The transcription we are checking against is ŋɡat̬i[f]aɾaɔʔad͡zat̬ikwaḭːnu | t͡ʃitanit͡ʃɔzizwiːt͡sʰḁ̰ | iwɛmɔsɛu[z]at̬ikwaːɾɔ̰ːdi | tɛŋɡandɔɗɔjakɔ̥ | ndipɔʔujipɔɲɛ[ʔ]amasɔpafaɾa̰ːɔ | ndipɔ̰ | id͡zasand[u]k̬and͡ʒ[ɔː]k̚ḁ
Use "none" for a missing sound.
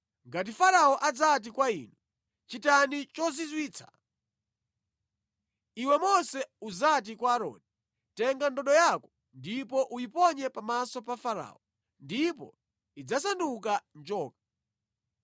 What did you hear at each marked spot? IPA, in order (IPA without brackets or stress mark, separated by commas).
f, z, p, u, ɔː